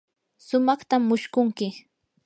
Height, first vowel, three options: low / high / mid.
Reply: high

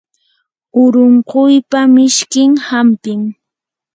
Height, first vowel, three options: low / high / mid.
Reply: high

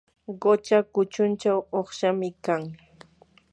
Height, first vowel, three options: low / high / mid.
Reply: mid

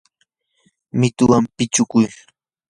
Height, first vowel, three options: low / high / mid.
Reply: high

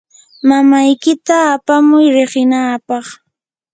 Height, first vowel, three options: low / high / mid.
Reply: low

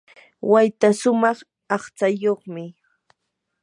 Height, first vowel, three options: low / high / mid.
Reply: low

